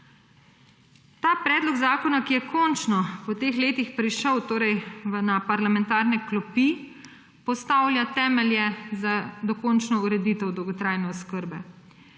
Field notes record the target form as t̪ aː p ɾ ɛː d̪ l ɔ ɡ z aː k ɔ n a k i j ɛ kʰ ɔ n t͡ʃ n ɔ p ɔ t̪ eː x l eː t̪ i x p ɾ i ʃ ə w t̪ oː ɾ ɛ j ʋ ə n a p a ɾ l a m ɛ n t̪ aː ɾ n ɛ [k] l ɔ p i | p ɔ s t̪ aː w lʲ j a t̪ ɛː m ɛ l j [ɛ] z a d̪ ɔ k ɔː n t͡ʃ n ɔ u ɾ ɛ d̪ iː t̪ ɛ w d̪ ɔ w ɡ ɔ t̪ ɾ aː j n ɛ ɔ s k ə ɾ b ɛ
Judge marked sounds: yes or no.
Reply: yes, yes

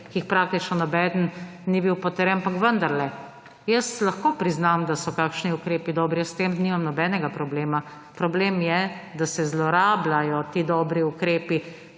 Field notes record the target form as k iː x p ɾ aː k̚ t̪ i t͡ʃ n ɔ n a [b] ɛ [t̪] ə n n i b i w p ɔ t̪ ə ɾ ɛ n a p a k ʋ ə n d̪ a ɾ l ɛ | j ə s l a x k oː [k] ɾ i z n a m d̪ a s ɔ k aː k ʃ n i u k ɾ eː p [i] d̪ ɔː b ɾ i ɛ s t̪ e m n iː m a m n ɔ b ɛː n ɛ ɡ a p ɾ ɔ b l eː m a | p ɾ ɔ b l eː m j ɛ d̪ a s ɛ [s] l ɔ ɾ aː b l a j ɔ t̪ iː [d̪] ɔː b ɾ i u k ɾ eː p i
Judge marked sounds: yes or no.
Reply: yes, no, no, yes, no, yes

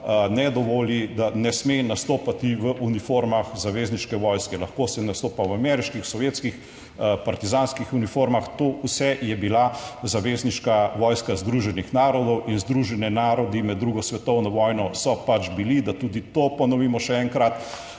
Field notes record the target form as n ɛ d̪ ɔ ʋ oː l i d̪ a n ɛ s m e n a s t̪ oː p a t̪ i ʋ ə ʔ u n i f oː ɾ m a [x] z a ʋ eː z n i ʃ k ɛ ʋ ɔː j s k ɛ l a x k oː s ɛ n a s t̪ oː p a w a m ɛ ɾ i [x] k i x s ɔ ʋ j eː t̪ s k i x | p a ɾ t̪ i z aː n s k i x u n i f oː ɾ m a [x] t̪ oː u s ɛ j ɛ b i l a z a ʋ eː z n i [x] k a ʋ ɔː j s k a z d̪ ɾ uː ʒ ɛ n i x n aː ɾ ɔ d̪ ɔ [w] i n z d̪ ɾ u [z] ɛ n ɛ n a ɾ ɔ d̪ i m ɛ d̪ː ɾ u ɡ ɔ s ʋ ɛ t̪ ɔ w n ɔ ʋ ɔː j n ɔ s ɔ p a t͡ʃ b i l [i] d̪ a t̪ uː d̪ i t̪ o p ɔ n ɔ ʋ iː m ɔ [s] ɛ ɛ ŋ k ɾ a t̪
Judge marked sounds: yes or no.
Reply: yes, no, yes, no, yes, no, yes, no

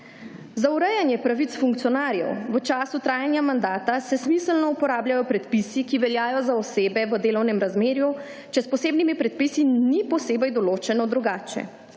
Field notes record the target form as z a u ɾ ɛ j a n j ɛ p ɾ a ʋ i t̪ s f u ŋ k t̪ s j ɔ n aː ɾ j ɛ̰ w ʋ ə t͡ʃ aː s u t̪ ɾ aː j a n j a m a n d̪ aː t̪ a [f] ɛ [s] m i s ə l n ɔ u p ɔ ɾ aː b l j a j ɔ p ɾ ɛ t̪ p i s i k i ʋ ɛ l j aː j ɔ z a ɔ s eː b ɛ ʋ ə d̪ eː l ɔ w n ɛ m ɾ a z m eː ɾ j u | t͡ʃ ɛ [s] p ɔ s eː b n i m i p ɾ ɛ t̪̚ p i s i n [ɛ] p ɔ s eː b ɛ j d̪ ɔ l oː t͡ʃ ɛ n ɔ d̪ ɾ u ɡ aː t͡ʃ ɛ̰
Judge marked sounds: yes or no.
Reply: no, yes, yes, no

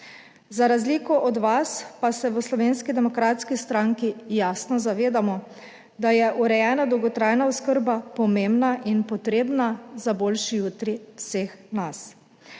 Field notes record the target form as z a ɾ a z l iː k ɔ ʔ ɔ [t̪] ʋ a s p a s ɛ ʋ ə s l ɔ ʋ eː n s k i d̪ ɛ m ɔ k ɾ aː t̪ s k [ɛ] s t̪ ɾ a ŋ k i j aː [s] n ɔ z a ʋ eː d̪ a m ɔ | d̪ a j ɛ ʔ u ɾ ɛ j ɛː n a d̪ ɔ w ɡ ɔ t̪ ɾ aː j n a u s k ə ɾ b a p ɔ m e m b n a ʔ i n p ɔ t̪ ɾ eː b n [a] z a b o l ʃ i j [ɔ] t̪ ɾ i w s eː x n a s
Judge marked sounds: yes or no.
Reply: no, no, yes, yes, no

